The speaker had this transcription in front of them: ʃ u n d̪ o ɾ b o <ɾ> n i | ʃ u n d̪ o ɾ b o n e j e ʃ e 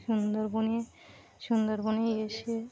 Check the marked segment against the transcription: incorrect: none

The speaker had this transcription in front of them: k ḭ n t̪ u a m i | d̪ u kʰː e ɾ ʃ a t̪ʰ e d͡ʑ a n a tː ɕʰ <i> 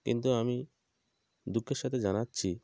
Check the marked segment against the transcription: correct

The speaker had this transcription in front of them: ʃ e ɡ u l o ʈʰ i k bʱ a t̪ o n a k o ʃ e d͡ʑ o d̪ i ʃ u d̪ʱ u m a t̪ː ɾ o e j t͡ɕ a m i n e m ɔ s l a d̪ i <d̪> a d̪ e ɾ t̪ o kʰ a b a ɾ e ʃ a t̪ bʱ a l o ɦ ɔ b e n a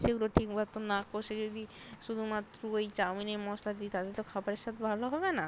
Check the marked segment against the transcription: incorrect: t̪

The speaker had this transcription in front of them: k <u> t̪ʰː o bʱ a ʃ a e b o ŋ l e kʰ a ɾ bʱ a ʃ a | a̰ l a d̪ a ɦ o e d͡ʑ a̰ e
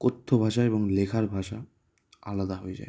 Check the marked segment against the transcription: incorrect: o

